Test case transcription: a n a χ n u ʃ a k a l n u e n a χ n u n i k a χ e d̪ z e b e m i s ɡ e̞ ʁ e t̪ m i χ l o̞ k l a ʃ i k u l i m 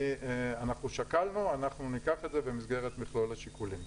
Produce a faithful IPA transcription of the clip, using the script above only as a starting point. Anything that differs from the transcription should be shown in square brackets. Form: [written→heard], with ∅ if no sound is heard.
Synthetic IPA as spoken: a n a χ n u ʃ a k a l n u [e→a] n a χ n u n i k a χ e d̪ z e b e m i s ɡ e̞ ʁ e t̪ m i χ l o̞ [k→∅] l a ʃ i k u l i m

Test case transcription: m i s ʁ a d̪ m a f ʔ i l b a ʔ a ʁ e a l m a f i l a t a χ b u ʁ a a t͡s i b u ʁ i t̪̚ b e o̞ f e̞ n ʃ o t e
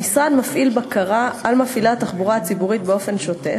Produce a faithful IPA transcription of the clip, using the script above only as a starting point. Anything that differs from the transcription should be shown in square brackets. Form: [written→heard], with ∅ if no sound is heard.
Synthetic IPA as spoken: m i s ʁ a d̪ m a f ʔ i l b a [ʔ→k] a ʁ [e→a] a l m a f i l a t a χ b u ʁ a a t͡s i b u ʁ i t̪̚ b e o̞ f e̞ n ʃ o t e

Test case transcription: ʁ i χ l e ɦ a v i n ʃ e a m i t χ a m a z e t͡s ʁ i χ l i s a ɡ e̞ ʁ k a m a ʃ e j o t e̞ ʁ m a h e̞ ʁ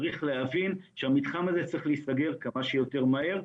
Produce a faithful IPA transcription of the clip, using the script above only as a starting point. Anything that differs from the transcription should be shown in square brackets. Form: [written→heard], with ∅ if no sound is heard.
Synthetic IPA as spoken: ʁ i χ l e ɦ a v i n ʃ e a m i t χ a m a z e t͡s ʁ i χ l i s a ɡ e̞ ʁ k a m a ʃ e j o t e̞ ʁ m a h e̞ ʁ

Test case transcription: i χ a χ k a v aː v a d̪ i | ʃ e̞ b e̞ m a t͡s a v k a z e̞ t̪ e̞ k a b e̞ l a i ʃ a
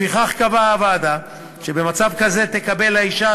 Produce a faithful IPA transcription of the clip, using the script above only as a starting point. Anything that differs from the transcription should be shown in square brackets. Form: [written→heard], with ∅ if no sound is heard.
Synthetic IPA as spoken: i χ a χ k a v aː v a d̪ [i→a] | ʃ e̞ b e̞ m a t͡s a v k a z e̞ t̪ e̞ k a b e̞ l a i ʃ a

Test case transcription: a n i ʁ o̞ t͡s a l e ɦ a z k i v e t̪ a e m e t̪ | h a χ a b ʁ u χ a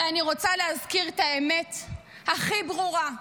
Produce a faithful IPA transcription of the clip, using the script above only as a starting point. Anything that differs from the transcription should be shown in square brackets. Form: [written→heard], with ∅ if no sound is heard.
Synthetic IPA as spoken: a n i ʁ o̞ t͡s a l e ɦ a z k i [v→ʁ] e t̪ a e m e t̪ | h a χ [a→i] b ʁ u [χ→ʁ] a

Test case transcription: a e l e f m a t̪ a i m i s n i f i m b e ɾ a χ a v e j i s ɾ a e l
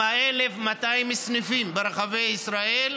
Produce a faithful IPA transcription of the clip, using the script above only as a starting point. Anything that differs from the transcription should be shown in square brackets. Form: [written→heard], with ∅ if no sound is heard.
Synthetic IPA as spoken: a e l e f m a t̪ a i m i s n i f i m b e ɾ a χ a v e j i s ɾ a e l

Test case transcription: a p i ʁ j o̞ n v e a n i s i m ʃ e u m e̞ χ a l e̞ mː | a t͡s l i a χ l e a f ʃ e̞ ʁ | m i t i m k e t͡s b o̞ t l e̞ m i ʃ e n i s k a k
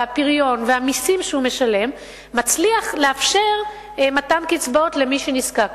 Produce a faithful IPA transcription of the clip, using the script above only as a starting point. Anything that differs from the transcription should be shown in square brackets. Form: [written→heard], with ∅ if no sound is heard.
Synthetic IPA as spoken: a p i ʁ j o̞ n v e a [n→m] i s i m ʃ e u m e̞ [χ→ʃ] a l e̞ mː | a t͡s l i a χ l e a f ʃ e̞ ʁ | m [i→a] t [i→a] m k [e→i] t͡s b o̞ t l e̞ m i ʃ e n i s k a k

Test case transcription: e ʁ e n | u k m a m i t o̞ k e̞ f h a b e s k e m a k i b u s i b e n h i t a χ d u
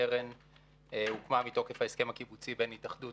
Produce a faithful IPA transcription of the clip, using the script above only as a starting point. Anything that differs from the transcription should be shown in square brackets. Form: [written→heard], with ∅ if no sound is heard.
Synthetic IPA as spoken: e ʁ e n | u k m a m i t o̞ k e̞ f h a [b→∅] e s k e m a k i b u [s→t͡s] i b e n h i t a χ d u

